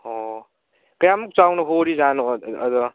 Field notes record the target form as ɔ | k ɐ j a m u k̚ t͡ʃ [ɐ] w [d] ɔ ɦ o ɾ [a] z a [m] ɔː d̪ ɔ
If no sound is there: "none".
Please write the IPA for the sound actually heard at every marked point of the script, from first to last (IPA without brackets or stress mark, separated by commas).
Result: a, n, i, n